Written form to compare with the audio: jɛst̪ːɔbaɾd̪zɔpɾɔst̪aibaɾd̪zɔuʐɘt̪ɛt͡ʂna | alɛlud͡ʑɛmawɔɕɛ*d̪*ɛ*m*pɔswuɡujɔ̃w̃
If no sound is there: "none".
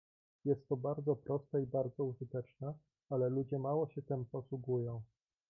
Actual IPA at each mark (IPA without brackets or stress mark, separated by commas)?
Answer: t̪, m